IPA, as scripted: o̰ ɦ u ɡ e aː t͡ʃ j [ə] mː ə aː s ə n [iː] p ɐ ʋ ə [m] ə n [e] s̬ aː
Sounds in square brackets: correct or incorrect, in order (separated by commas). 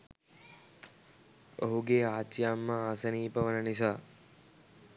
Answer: incorrect, correct, incorrect, incorrect